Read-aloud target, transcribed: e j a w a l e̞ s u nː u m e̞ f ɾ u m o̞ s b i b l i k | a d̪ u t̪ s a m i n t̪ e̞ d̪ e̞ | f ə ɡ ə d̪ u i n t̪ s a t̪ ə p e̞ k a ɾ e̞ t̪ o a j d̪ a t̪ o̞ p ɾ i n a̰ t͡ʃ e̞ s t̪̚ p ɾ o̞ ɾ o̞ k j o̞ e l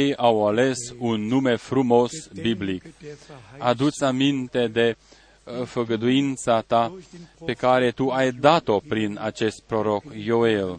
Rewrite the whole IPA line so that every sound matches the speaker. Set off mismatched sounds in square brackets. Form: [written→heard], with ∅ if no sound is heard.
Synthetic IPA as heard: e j a w a l e̞ s u nː u m e̞ f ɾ u m o̞ s b i b l i k | a d̪ u t̪ s a m i n t̪ e̞ d̪ e̞ | f ə ɡ ə d̪ u i n t̪ s a t̪ [ə→a] p e̞ k a ɾ e̞ t̪ [o→u] a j d̪ a t̪ o̞ p ɾ i n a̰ t͡ʃ e̞ s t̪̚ p ɾ o̞ ɾ o̞ k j o̞ e l